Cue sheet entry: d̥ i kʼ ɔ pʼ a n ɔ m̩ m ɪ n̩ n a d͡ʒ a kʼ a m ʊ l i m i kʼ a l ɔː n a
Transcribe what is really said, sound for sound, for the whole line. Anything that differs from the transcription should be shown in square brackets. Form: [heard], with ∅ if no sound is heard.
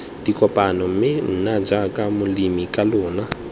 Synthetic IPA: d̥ i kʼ ɔ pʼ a n ɔ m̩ m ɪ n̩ n a d͡ʒ a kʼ a m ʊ l i m i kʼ a l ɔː n a